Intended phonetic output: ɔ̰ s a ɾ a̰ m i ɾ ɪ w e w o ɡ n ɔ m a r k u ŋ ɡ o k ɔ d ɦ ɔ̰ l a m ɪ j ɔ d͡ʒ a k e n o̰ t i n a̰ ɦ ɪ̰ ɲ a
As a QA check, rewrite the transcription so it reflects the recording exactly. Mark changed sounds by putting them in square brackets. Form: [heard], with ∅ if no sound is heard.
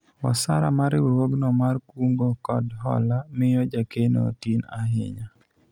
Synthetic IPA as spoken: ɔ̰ s a ɾ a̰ m [a] ɾ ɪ w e w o ɡ n ɔ m a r k u ŋ ɡ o k ɔ d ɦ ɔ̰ l a m ɪ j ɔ d͡ʒ a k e n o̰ t i n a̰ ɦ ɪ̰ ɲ a